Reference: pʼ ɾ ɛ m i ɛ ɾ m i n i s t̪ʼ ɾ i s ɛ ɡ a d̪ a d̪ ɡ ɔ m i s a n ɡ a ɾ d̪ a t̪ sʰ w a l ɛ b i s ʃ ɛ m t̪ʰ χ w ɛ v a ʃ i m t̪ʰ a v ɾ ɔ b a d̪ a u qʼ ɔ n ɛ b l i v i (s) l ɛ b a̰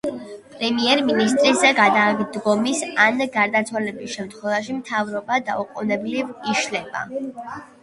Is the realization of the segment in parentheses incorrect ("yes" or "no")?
yes